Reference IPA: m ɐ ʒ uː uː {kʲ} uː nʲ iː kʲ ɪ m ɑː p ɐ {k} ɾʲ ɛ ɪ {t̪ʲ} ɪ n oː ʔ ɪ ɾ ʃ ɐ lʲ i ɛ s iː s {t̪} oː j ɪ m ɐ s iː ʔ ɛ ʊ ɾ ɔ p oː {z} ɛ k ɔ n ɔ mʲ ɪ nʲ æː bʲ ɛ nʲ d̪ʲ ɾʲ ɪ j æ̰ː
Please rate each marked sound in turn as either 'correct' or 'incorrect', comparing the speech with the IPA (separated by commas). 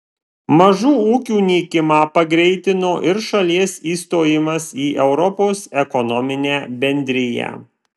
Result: correct, incorrect, correct, correct, incorrect